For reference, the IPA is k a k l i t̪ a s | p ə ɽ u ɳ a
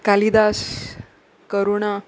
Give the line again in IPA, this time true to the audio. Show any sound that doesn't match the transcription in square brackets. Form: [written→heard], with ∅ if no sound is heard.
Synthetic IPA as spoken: k a [k→∅] l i [t̪→d̪] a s | [p→k] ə [ɽ→ɾ] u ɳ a